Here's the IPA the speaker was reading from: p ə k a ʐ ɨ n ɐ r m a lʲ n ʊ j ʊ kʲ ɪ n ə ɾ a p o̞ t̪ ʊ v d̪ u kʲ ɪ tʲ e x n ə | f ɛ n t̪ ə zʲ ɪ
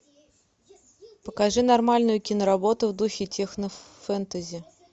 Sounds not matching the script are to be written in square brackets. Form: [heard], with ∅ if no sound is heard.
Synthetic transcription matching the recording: p ə k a ʐ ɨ n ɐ r m a lʲ n ʊ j ʊ kʲ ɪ n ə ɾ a [b] o̞ t̪ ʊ v d̪ u [xʲ] ɪ tʲ e x n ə | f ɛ n t̪ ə zʲ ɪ

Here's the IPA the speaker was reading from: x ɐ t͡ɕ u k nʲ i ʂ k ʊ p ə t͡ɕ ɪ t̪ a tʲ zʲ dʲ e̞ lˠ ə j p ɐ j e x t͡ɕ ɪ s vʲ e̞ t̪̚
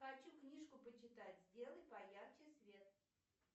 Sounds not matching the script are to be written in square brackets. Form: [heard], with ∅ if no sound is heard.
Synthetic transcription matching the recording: x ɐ t͡ɕ u k nʲ i ʂ k ʊ p ə t͡ɕ ɪ t̪ a tʲ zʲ dʲ e̞ lˠ ə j p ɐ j [a] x t͡ɕ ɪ s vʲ e̞ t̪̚

